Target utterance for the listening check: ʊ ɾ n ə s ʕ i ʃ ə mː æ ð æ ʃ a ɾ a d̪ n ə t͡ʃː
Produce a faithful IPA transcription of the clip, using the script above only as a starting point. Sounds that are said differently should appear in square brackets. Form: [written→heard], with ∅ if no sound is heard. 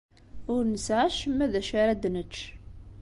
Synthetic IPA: ʊ ɾ n ə s ʕ [i→a] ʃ ə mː æ ð æ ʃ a ɾ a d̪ n ə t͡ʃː